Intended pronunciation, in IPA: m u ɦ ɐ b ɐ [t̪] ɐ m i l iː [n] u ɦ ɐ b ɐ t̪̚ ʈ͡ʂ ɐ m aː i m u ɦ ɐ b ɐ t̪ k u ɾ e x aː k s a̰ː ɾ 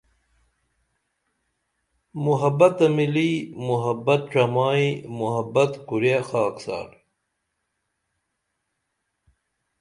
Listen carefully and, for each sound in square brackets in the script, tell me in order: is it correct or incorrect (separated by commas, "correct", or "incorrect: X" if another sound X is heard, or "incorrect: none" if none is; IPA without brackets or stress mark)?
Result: correct, incorrect: m